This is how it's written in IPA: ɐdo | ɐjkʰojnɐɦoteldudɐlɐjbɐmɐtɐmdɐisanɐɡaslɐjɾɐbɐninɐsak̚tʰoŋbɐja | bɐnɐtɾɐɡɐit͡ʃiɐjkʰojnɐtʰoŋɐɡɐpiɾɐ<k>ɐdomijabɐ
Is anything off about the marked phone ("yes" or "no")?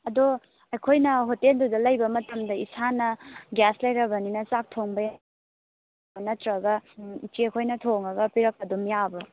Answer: no